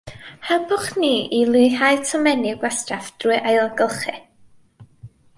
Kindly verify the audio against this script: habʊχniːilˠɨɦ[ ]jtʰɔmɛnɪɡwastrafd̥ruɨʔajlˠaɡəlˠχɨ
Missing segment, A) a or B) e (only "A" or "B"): A